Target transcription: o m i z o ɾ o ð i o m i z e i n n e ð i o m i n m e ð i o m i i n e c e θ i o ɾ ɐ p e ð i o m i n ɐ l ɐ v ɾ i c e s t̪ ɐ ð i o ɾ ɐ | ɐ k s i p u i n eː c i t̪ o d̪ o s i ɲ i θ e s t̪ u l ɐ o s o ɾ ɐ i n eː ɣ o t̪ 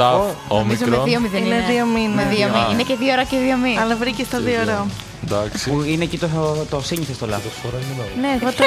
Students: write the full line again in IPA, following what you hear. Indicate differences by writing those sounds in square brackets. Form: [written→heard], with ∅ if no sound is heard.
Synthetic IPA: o m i z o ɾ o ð i o m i [z→ð] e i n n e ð i o m i n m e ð i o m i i n e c e [θ→ð] i o ɾ ɐ [p→c] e ð i o m i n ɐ l ɐ v ɾ i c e s t̪ ɐ ð i o ɾ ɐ | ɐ k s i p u i n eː c i t̪ o [d̪→t̪] o s i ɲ i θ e s t̪ [u→o] l ɐ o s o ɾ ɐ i n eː ɣ o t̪